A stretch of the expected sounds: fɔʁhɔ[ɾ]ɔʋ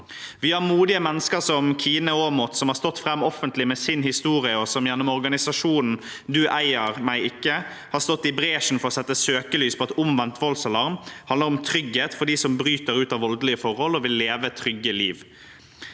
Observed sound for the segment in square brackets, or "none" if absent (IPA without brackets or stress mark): l